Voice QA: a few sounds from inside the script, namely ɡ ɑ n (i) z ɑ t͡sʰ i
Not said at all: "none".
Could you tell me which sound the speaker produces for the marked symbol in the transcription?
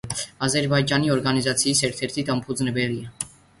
i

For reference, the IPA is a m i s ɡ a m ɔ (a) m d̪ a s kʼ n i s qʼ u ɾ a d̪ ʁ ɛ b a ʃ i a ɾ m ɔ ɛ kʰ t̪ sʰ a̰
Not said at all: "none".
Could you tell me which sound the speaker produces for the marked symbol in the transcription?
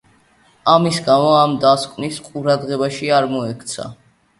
a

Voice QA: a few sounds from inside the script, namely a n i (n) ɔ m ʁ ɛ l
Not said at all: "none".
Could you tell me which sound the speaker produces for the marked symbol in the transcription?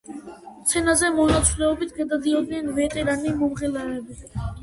m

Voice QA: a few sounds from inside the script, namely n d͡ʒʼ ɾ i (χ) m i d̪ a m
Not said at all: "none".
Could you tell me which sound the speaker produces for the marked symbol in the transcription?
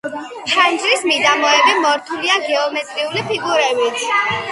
s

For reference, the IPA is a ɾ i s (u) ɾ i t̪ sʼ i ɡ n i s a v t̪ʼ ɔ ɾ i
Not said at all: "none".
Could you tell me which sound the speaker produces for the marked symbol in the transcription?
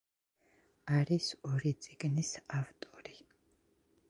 ɔ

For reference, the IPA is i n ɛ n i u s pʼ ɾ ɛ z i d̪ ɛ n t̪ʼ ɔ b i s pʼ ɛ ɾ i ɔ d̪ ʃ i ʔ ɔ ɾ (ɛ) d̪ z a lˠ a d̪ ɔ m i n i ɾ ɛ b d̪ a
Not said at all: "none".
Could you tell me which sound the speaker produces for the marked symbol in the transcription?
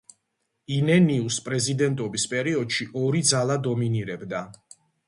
i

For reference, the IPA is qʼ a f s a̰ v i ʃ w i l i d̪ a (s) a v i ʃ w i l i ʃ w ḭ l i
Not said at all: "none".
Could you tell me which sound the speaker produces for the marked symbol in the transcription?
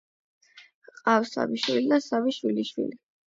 s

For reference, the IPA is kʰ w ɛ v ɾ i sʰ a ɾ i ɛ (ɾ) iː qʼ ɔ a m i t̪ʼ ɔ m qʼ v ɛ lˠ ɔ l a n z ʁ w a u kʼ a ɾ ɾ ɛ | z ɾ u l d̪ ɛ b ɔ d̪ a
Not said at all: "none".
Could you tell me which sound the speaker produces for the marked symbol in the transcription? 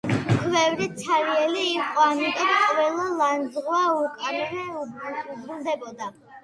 l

